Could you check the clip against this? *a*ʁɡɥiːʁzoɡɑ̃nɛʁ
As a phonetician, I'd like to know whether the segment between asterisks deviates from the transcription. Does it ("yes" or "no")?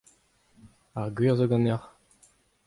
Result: no